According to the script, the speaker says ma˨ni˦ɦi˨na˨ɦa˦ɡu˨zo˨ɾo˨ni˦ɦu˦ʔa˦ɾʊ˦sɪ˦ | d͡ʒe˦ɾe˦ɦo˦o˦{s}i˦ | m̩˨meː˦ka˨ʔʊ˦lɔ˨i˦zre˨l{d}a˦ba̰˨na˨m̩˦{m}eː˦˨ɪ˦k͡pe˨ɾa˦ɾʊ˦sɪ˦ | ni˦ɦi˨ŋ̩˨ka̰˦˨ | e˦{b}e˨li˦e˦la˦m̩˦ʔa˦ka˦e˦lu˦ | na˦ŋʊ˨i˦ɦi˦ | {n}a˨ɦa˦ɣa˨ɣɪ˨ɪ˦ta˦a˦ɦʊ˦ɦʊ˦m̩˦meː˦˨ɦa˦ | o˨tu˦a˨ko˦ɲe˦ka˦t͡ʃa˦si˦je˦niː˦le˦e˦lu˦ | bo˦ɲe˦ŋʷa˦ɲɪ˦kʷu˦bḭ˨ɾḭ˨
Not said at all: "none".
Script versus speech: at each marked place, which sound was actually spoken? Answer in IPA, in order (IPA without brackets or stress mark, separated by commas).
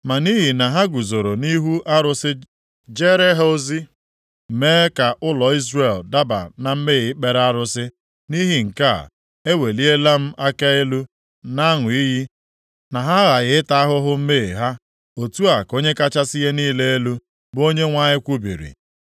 z, d, m, w, n